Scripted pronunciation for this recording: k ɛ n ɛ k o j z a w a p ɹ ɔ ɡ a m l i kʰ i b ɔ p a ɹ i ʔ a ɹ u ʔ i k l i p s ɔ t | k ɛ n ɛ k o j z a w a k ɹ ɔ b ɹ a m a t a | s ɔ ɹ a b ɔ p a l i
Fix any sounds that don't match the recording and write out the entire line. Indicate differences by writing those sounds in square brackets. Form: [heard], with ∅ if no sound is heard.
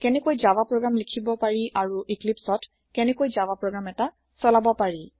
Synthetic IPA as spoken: k ɛ n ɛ k o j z a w a p ɹ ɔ ɡ a m l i kʰ i b ɔ p a ɹ i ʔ a ɹ u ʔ i k l i p s ɔ t | k ɛ n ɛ k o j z a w a [p] ɹ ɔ [ɡ] ɹ a m [ɛ] t a | s ɔ [l] a b ɔ p a [ɹ] i